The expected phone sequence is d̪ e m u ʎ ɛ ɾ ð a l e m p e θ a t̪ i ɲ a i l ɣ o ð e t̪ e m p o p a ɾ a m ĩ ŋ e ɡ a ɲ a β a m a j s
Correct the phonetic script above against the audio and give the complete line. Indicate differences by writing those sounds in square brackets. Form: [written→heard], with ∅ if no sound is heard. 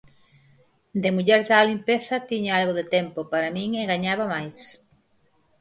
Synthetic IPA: d̪ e m u ʎ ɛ ɾ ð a l [e→i] m p e θ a t̪ i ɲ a [i→a] l ɣ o ð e t̪ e m p o p a ɾ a m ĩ ŋ e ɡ a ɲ a β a m a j s